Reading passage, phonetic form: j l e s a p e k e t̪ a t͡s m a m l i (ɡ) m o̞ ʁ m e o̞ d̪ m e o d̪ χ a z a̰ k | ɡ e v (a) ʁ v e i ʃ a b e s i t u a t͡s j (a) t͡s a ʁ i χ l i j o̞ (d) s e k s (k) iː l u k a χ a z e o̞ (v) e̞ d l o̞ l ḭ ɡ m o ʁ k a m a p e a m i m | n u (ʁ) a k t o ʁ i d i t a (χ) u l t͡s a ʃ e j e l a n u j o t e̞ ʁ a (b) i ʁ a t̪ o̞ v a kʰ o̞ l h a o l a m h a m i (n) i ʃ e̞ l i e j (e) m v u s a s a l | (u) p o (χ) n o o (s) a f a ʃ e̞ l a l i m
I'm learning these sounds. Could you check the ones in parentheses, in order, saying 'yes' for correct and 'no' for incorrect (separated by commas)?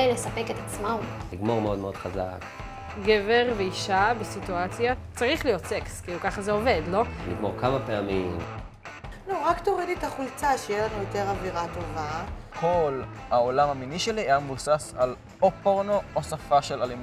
yes, no, yes, no, yes, yes, yes, yes, no, yes, no, no, no, yes